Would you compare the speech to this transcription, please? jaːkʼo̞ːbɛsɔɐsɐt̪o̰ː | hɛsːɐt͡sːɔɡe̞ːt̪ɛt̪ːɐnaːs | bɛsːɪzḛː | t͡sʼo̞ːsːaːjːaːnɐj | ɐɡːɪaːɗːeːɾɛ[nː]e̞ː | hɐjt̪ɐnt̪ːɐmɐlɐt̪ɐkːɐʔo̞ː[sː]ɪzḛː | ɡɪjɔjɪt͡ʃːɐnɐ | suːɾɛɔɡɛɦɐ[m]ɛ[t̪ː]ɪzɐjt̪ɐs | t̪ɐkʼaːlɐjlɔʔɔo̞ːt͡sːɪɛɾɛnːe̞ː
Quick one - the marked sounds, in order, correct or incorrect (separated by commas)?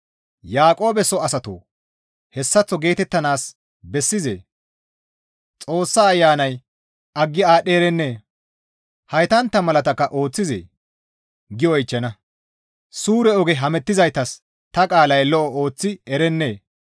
correct, incorrect, correct, correct